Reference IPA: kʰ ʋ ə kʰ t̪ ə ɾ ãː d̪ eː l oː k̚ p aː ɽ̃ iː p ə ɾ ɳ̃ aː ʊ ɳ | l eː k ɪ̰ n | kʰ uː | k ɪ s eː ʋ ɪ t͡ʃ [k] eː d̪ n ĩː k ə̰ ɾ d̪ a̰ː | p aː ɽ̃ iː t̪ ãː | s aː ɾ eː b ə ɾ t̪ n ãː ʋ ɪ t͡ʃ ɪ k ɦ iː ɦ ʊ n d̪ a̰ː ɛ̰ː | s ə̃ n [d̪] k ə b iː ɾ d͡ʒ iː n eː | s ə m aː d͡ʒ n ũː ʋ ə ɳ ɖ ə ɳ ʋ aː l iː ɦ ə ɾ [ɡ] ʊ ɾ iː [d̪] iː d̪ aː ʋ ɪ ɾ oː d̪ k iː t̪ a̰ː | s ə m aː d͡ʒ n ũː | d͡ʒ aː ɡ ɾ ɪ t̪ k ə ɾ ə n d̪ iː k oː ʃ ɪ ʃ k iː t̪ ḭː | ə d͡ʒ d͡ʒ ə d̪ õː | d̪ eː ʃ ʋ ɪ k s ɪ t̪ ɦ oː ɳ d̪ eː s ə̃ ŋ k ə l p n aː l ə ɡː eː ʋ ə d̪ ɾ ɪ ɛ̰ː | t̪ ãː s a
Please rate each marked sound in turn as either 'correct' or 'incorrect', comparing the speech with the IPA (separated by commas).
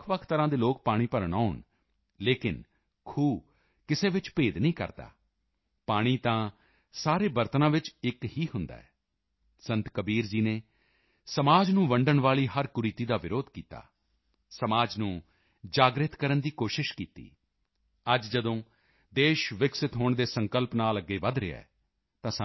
incorrect, incorrect, incorrect, incorrect